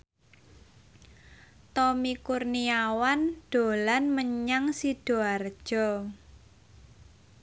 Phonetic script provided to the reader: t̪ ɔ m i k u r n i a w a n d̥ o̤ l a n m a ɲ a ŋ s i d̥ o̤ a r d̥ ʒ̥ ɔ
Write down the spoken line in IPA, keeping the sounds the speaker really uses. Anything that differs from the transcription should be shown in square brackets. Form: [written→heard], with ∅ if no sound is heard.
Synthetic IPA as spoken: t̪ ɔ m i k u r n i a w a n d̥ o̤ l a n m [a→ə] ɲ a ŋ s i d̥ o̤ a r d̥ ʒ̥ ɔ